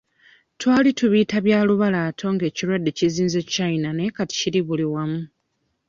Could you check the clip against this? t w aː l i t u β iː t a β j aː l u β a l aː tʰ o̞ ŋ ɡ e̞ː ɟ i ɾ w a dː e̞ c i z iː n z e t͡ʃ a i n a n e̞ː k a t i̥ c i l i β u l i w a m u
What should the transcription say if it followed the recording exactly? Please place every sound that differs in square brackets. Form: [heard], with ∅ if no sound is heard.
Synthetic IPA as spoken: t w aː l i t u β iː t a β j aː l u β a l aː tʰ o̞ ŋ ɡ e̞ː [c] i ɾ w a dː e̞ c i z iː n z e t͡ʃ a i n a n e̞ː k a t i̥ c i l i β u l i w a m u